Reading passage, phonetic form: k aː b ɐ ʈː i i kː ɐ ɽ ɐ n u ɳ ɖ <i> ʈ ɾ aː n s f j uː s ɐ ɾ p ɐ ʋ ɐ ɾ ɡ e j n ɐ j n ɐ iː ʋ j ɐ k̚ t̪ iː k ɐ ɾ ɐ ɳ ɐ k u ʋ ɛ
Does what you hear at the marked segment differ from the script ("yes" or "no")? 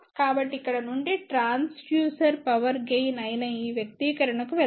no